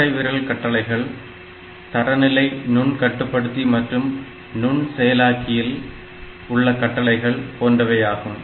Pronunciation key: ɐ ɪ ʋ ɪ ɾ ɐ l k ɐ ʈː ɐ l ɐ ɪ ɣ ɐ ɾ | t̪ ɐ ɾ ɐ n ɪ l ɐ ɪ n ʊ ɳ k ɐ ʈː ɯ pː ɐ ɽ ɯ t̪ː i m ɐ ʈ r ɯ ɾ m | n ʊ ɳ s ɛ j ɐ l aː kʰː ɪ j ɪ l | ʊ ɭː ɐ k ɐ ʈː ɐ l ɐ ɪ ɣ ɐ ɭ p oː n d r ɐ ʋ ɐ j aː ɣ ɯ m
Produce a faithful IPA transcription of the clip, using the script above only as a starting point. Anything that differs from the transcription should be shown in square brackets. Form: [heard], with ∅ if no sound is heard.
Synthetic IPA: ɐ ɪ ʋ ɪ ɾ ɐ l k ɐ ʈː ɐ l ɐ ɪ ɣ ɐ [ɭ] | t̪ ɐ ɾ ɐ n ɪ l ɐ ɪ n ʊ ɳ k ɐ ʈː ɯ pː ɐ ɽ ɯ t̪ː i m ɐ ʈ r ɯ [∅] m | n ʊ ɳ s ɛ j ɐ l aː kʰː ɪ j ɪ l | ʊ ɭː ɐ k ɐ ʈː ɐ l ɐ ɪ ɣ ɐ ɭ p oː n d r ɐ ʋ ɐ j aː ɣ ɯ m